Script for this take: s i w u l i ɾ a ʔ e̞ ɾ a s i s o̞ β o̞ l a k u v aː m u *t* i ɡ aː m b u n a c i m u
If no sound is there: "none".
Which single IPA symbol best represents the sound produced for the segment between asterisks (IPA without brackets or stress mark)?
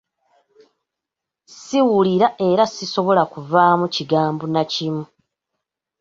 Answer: c